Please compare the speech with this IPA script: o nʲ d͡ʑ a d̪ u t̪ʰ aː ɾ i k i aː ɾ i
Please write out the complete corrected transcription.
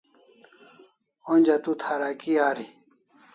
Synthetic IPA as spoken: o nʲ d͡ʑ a t̪ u t̪ʰ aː ɾ a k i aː ɾ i